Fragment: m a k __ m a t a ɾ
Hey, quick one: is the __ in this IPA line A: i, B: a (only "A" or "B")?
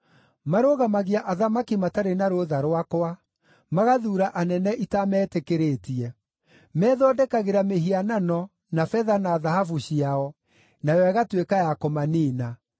A